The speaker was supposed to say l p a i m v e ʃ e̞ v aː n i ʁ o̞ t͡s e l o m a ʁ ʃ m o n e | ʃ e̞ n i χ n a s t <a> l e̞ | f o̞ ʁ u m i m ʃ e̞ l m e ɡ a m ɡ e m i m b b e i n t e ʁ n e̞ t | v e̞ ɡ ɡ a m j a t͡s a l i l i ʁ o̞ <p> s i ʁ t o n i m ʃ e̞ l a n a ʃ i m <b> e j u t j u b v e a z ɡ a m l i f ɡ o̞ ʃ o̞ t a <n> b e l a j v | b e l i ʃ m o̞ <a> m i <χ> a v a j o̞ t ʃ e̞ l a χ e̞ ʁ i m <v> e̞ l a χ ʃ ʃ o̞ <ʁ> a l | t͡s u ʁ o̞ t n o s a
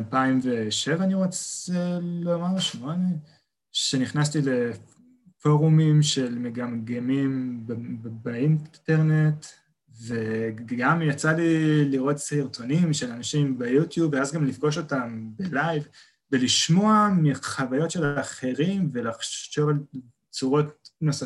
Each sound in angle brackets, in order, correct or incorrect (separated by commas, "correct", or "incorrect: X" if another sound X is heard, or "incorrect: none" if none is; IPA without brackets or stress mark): incorrect: i, incorrect: t, correct, incorrect: m, correct, correct, correct, incorrect: v